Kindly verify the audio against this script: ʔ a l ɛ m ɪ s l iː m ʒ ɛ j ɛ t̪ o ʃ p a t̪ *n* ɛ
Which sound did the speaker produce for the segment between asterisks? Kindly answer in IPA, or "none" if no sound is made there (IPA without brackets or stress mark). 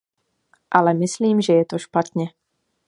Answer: ɲ